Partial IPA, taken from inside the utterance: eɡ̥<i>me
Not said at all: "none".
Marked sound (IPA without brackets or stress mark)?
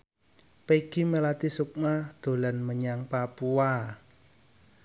i